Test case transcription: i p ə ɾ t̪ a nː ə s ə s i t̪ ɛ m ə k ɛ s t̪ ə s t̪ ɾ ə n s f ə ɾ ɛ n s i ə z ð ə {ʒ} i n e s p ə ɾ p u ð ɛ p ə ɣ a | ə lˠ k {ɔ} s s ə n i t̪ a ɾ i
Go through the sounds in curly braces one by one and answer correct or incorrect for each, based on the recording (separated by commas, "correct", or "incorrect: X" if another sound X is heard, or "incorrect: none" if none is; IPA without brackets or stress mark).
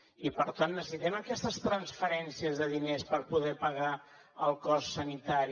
incorrect: ð, correct